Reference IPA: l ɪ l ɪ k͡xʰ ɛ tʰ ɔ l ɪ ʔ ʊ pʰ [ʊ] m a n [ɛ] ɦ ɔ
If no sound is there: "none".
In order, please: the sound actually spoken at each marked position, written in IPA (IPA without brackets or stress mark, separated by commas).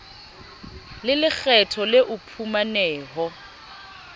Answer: u, ɛː